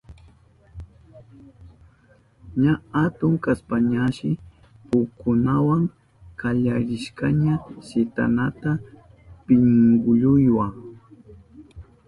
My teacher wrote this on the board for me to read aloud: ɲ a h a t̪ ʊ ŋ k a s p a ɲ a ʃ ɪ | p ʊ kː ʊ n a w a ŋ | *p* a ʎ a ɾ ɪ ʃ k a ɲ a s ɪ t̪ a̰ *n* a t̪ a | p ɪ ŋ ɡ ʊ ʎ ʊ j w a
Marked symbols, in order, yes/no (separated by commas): no, yes